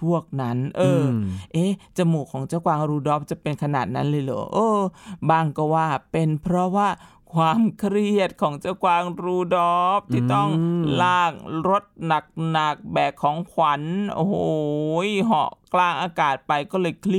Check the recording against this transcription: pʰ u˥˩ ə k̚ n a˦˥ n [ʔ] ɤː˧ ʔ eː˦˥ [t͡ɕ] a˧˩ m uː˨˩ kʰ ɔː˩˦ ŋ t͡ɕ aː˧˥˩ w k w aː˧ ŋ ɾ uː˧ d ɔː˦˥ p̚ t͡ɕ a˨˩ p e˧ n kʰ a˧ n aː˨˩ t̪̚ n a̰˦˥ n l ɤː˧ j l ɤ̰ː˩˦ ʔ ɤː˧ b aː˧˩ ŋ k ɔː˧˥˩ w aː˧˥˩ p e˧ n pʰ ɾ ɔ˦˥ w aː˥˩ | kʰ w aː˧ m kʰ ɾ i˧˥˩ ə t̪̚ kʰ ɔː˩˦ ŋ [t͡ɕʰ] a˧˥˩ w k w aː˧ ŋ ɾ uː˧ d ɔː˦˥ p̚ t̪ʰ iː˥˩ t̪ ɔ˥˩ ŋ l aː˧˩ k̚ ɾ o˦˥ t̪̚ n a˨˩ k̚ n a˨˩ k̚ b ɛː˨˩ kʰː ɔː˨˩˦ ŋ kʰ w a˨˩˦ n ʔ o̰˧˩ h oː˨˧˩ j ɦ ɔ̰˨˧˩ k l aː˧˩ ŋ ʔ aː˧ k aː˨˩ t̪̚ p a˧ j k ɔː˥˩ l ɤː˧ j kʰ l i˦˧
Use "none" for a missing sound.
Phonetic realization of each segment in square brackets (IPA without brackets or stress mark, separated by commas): ʔ, t͡ɕ, t͡ɕ